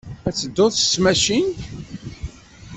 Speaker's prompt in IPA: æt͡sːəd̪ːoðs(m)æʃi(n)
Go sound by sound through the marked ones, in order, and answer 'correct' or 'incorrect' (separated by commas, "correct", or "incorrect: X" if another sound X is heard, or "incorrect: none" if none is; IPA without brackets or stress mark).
correct, correct